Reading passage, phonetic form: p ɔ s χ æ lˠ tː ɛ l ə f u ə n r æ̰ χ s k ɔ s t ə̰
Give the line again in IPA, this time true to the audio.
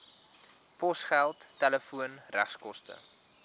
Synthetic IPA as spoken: p ɔ s χ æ lˠ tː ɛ l ə f u ə n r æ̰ χ s k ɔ s t ə̰